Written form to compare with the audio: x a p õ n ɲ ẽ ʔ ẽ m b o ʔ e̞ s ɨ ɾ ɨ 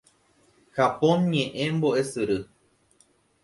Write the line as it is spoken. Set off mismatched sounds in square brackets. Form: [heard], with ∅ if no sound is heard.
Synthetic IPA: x a p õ n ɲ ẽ ʔ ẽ m b o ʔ e̞ s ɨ ɾ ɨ